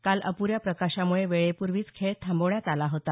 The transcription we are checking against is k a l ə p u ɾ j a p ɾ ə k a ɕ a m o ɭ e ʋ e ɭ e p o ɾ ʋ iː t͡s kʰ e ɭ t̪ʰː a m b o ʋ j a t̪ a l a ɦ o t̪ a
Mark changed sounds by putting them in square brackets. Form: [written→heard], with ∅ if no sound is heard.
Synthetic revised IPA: k a l ə p u ɾ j a p ɾ ə k a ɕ a m [o→u] ɭ e ʋ e ɭ e p [o→u] ɾ ʋ iː t͡s kʰ e ɭ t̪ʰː a m b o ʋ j a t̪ a l a ɦ o t̪ a